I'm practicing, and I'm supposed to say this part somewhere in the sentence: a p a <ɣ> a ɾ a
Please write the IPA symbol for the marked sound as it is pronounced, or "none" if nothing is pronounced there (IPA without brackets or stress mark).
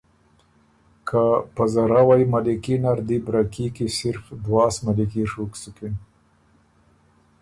z